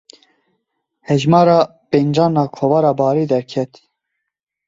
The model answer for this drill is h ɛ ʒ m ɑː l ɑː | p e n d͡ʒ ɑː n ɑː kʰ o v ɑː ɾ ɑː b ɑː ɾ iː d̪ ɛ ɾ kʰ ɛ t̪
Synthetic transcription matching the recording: h ɛ ʒ m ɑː ɾ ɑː | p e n d͡ʒ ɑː n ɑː kʰ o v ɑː ɾ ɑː b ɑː ɾ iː d̪ ɛ ɾ kʰ ɛ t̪